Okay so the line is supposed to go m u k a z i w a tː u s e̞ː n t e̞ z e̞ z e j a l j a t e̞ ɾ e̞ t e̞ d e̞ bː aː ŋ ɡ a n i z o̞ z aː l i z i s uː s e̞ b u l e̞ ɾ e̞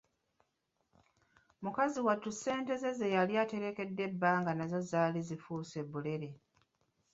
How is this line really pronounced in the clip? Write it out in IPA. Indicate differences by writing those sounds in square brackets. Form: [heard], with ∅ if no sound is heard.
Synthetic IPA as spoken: m u k a z i w a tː u s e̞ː n t e̞ z e̞ z e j a l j a t e̞ ɾ e̞ [k] e̞ [dː] e̞ bː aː ŋ ɡ a n [a] z o̞ z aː l i z i [f] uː s e̞ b u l e̞ ɾ e̞